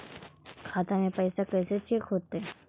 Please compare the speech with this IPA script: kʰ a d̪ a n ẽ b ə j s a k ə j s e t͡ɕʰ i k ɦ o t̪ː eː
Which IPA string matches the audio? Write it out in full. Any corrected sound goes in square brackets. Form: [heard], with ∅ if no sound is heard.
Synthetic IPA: kʰ a [t̪] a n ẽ [p] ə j s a k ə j s e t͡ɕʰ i k ɦ o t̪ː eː

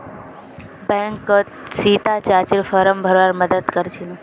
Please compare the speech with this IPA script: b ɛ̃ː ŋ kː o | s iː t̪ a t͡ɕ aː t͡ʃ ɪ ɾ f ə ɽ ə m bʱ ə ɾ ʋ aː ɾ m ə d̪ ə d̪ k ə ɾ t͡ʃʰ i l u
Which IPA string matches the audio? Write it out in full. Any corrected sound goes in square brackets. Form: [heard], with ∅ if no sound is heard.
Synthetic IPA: b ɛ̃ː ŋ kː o | s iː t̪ a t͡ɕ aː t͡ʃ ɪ ɾ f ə [ɾ] ə m bʱ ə ɾ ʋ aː ɾ m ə d̪ ə d̪ k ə ɾ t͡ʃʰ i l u

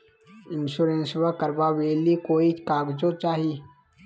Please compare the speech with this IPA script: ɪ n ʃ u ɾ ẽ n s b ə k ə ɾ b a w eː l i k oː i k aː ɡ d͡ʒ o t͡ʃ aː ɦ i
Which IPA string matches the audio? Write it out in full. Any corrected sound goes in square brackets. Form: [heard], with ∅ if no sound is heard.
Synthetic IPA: ɪ n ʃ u ɾ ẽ n s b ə k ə ɾ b a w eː l i k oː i k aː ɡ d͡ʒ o t͡ʃ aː ɦ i

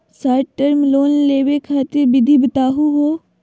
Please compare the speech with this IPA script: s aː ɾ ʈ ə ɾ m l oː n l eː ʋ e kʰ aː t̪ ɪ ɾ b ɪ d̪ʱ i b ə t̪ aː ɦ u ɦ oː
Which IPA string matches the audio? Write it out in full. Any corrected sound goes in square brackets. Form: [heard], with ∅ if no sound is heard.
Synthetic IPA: s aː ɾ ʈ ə ɾ m l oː n l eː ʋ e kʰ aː t̪ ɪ ɾ b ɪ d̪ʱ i b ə t̪ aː ɦ u ɦ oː

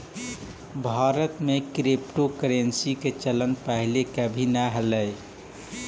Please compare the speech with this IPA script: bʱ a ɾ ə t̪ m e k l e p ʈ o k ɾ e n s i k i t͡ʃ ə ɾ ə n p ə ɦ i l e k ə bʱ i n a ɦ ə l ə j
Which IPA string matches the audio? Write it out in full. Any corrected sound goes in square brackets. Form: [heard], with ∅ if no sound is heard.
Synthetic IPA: bʱ a ɾ ə t̪ m e k [ɾ] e p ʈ o k ɾ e n s i k [e] t͡ʃ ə [l] ə n p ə ɦ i l e k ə bʱ i n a ɦ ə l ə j

